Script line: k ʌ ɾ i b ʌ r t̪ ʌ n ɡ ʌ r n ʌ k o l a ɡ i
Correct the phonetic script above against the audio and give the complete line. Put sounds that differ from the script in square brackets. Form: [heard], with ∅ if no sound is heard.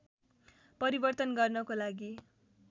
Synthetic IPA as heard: [p] ʌ ɾ i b ʌ r t̪ ʌ n ɡ ʌ r n ʌ k o l a ɡ i